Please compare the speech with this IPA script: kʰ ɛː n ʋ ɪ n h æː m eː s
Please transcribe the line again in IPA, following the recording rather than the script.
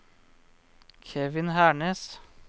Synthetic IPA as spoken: kʰ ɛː ʋ ɪ n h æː ɳ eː s